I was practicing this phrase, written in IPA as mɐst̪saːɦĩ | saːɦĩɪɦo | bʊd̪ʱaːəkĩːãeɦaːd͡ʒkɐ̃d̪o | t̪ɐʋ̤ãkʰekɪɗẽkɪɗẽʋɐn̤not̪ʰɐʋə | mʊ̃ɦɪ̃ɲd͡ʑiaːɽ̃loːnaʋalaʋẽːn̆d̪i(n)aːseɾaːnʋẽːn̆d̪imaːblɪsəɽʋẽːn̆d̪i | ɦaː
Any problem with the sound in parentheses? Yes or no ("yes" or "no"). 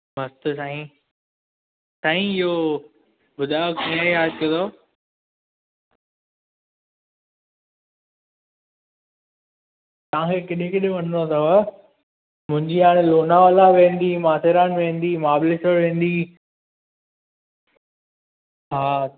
yes